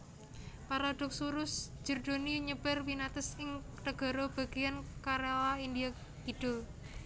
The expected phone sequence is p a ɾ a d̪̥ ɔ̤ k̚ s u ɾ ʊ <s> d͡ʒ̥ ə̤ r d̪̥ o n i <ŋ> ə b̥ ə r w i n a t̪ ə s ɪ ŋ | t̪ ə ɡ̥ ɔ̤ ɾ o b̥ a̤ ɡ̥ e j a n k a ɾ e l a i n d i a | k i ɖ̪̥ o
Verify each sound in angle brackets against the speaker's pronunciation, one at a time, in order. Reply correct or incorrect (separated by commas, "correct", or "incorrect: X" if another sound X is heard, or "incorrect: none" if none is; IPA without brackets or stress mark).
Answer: correct, incorrect: ɲ